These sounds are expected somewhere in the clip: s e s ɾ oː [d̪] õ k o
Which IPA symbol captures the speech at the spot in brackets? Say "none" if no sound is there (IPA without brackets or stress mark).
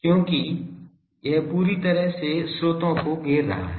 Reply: t̪